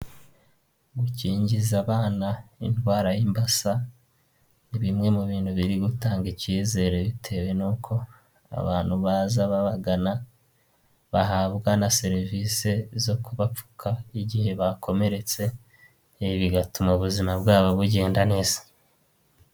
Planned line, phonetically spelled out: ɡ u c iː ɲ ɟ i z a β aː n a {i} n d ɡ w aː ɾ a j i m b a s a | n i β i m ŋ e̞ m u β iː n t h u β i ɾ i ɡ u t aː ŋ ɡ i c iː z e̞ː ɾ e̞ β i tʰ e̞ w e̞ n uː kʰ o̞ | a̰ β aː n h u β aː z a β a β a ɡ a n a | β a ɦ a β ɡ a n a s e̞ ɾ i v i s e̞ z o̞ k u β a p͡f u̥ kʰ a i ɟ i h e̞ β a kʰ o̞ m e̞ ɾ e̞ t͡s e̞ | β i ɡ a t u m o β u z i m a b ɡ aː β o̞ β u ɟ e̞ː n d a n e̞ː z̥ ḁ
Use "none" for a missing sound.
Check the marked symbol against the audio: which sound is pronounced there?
i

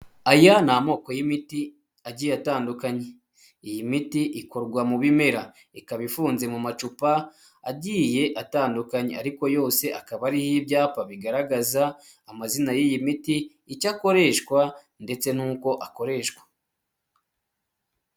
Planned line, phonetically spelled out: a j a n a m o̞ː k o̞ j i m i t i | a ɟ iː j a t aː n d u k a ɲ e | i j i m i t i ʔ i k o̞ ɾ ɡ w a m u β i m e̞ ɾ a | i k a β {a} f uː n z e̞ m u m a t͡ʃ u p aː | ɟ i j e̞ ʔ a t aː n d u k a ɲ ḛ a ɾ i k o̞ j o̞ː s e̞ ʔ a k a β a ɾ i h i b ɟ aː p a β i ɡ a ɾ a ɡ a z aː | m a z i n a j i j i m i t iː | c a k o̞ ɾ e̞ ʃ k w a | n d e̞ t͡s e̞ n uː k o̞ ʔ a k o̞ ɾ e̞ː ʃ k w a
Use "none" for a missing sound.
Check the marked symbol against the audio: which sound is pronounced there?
i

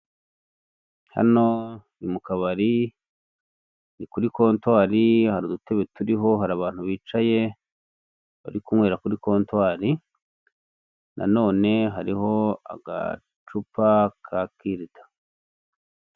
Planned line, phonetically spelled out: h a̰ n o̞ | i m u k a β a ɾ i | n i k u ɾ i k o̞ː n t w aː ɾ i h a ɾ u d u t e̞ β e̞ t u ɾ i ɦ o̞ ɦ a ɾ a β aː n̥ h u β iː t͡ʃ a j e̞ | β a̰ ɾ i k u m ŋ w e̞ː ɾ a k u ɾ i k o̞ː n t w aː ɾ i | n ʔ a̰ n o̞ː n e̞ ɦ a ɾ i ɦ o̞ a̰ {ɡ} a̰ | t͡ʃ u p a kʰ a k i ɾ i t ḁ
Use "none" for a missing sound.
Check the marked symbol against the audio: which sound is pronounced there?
ɡ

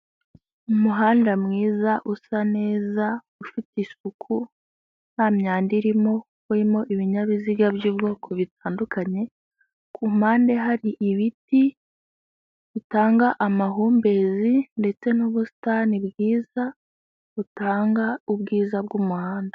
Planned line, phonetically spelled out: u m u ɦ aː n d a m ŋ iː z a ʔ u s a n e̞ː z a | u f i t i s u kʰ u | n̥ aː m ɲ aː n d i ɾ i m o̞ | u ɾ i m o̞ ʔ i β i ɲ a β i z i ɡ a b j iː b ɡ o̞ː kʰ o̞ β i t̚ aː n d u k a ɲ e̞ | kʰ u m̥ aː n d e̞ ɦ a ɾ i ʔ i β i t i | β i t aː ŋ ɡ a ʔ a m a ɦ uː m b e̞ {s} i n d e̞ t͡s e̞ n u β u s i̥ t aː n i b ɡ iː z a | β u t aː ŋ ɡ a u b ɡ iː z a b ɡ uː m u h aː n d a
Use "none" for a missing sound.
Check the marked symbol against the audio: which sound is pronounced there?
z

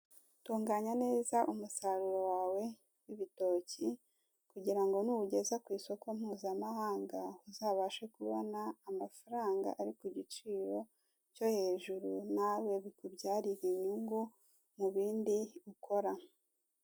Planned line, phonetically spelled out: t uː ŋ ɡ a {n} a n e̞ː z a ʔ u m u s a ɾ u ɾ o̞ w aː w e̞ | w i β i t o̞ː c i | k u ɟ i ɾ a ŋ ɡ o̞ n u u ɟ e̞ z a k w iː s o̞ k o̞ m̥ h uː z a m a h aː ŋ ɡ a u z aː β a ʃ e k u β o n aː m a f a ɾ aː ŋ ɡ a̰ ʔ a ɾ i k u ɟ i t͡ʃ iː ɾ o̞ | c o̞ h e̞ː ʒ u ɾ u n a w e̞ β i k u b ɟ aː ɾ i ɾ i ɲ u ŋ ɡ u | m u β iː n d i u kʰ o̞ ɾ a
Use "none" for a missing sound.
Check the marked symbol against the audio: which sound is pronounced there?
ɲ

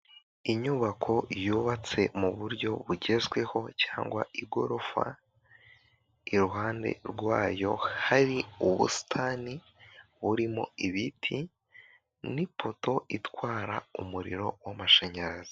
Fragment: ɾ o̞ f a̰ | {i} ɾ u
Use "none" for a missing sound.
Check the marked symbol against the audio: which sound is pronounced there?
i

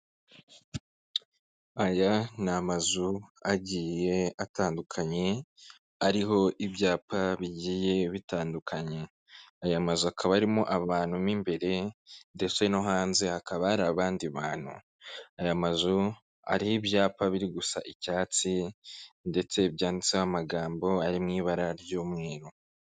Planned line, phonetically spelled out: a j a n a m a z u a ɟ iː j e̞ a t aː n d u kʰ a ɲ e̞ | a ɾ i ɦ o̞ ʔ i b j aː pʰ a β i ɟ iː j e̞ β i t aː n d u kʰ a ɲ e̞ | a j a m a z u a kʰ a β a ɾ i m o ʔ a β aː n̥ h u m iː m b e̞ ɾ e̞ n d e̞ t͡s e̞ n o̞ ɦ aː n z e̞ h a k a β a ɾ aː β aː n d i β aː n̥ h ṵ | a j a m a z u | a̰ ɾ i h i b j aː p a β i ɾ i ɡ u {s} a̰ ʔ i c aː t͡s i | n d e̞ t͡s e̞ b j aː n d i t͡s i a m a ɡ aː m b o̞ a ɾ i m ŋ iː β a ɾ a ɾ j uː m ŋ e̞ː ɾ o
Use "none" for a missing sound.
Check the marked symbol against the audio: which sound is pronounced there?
s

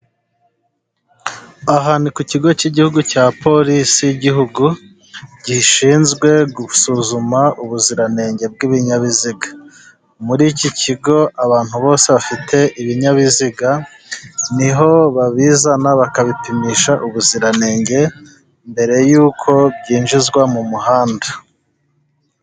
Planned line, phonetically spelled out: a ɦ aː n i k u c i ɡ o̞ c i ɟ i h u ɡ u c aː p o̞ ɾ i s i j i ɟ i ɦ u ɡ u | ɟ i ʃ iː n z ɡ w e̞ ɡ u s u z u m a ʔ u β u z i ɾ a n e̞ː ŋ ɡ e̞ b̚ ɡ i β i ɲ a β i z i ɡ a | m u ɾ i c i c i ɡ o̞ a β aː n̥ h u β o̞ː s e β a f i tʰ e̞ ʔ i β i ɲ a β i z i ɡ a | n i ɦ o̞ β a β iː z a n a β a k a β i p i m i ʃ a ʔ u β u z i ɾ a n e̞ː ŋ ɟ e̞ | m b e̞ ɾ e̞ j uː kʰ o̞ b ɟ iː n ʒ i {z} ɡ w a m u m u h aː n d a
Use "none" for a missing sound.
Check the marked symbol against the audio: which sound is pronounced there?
z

